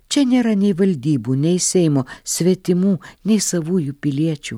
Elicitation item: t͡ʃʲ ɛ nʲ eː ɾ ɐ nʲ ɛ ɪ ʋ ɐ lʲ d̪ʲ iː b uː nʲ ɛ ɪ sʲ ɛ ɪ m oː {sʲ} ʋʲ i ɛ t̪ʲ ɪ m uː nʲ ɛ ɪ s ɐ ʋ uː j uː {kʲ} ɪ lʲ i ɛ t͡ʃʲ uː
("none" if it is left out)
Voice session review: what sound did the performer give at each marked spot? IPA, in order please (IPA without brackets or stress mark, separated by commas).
sʲ, pʲ